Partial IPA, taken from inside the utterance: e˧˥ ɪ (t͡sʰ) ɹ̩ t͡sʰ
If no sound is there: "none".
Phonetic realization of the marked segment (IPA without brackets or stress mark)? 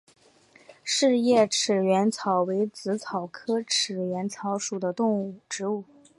t͡s